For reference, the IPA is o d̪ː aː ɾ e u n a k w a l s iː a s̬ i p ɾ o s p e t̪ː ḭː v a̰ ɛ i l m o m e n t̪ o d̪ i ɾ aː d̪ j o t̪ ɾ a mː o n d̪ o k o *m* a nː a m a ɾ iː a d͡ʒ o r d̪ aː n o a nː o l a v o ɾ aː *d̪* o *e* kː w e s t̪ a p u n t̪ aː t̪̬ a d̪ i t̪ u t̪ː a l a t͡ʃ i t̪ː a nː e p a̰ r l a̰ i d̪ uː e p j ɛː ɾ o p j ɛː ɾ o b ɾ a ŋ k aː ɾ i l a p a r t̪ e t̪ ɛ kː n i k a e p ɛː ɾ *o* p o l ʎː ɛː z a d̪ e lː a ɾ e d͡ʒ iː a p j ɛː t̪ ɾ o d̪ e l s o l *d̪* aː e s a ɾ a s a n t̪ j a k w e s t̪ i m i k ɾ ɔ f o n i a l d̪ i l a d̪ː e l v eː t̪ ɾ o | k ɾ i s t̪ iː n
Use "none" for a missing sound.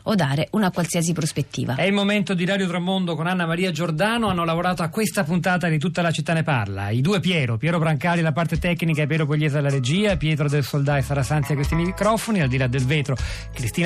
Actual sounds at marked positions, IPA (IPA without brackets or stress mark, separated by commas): n, t̪, a, o, d̪